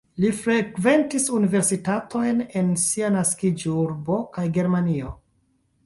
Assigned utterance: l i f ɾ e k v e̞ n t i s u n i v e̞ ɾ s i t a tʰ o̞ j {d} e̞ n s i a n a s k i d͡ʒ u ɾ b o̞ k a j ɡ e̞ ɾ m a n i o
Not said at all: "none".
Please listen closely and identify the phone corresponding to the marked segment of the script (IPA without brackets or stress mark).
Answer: n